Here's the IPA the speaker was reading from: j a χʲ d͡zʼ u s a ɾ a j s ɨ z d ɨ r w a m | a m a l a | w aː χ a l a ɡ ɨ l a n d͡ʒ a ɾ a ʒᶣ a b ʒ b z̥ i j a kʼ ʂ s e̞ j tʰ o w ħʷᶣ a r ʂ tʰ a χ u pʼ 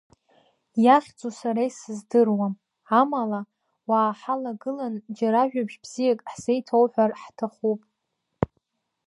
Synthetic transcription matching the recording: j a χʲ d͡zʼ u s a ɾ a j s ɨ z d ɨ r w a m | a m a l a | w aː ħ a l a ɡ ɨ l a n d͡ʒ a ɾ a ʒᶣ a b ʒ b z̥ i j a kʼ ħ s e̞ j tʰ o w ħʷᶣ a r ħ tʰ a χ u pʼ